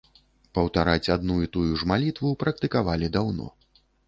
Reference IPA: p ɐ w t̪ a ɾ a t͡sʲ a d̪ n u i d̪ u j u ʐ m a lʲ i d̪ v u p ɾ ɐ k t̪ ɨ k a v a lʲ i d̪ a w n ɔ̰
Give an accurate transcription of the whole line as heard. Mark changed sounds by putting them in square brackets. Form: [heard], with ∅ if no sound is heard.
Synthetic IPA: p ɐ w t̪ a ɾ a t͡sʲ a d̪ n u i [t̪] u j u ʐ m a lʲ i [t̪] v u p ɾ ɐ k t̪ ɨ k a v a lʲ i d̪ a w n ɔ̰